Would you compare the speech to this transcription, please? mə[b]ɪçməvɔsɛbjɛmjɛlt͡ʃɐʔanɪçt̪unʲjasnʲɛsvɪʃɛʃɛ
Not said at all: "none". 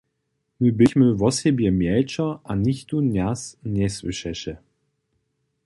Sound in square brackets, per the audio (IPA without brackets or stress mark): b